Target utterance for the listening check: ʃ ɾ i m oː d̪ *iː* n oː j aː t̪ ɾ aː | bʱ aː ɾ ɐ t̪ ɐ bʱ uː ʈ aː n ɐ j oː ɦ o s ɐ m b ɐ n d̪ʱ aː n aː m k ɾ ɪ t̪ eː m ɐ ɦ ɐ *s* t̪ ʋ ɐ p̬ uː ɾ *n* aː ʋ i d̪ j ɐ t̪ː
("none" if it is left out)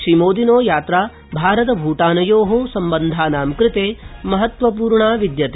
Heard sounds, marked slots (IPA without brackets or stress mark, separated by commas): i, none, ɳ